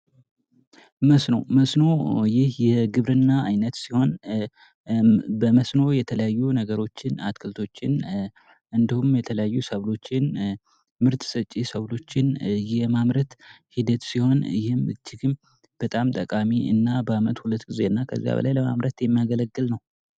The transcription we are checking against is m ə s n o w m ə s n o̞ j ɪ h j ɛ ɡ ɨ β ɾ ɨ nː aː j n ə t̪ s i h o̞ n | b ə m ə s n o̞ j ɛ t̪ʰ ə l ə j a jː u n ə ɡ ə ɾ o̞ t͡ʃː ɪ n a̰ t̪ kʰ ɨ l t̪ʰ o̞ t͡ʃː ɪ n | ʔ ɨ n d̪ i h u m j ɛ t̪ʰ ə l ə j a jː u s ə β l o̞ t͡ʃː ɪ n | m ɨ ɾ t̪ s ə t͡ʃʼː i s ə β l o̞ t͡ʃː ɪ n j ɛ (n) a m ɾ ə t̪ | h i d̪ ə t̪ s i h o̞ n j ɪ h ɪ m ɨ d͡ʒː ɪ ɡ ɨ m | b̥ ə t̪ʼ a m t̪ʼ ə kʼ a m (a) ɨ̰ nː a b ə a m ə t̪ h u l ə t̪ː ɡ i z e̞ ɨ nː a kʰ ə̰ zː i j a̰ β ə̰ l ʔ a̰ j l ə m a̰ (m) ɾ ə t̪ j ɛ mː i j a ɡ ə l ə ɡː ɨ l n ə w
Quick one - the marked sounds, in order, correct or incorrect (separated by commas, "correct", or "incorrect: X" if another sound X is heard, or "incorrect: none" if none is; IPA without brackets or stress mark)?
incorrect: m, incorrect: i, correct